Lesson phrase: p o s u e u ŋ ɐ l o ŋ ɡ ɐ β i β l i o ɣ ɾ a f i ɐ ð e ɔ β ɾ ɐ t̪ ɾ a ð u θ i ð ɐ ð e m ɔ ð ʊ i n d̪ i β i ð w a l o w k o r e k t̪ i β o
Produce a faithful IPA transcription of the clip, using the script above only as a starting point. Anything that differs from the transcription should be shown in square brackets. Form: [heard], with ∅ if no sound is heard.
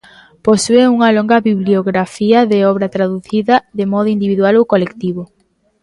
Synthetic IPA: p o s u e u ŋ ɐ l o ŋ ɡ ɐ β i β l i o ɣ ɾ a f i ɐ ð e ɔ β ɾ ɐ t̪ ɾ a ð u θ i ð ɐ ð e m ɔ ð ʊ i n d̪ i β i ð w a l o w k o [l] e k t̪ i β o